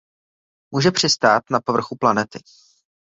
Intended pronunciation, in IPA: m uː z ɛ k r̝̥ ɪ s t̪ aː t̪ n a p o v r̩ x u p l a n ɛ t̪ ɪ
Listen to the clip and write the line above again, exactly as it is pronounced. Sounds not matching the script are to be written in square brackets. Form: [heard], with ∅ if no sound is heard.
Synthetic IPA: m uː [ʒ] ɛ [p] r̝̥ ɪ s t̪ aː t̪ n a p o v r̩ x u p l a n ɛ t̪ ɪ